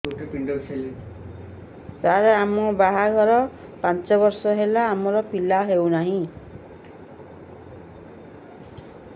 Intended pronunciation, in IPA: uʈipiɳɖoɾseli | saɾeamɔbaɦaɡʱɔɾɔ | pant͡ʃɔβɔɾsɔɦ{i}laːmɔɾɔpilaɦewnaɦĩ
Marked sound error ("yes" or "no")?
yes